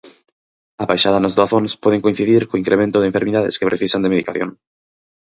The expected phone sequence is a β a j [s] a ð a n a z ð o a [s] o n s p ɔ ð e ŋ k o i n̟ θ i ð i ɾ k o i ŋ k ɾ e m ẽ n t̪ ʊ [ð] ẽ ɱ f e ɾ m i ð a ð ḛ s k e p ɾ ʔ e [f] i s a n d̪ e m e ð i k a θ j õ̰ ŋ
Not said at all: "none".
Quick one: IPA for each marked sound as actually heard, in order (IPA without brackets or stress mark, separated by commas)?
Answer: ʃ, θ, ð, θ